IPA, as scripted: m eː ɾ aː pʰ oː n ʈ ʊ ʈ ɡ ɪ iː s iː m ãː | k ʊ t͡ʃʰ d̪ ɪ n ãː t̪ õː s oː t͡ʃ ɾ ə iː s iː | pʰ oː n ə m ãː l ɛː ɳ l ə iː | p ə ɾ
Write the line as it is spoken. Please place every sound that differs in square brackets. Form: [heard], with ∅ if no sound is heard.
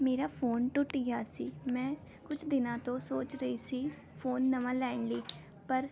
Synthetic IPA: m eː ɾ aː pʰ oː n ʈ ʊ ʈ ɡ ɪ [aː] s iː m [ɛ̃ː] | k ʊ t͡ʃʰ d̪ ɪ n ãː t̪ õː s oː t͡ʃ ɾ ə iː s iː | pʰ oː [nː] ə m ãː l ɛː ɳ l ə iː | p ə ɾ